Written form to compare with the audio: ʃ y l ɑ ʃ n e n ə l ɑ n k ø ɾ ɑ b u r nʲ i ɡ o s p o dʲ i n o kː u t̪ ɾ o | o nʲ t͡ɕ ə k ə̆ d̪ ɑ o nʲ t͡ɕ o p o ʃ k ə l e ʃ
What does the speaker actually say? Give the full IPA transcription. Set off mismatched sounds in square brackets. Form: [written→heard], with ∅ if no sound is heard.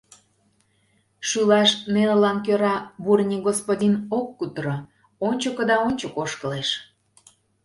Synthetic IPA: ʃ y l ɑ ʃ n e n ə l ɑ n k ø ɾ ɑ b u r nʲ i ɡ o s p o dʲ i n o kː u t̪ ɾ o | o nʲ t͡ɕ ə k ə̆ d̪ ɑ o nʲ t͡ɕ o [p→k] o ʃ k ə l e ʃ